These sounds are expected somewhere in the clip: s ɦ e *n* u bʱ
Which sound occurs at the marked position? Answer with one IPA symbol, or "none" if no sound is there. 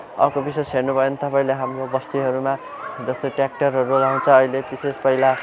n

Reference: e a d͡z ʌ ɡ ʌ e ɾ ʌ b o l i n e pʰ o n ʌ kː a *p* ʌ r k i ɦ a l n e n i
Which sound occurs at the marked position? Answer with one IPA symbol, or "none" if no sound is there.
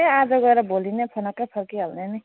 pʰ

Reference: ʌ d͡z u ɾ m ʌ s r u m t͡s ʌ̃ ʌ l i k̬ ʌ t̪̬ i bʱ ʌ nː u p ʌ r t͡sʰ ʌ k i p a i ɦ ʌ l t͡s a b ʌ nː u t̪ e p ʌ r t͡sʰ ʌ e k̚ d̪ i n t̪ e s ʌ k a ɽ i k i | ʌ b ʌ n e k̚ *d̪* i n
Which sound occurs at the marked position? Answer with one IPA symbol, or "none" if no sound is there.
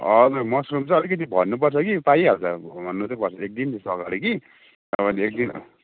d̪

